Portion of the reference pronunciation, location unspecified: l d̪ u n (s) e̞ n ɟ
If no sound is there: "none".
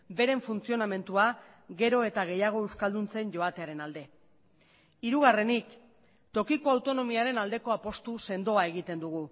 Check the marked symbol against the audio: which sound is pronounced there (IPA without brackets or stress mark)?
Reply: t͡s